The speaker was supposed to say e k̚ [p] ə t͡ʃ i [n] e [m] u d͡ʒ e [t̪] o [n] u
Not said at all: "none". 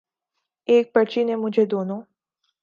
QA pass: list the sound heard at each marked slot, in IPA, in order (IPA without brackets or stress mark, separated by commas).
p, n, m, d̪, n